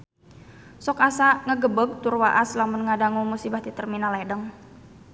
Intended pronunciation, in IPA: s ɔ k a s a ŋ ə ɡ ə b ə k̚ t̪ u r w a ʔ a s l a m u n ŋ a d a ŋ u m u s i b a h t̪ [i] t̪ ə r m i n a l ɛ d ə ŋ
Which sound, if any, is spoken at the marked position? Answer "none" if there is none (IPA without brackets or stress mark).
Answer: i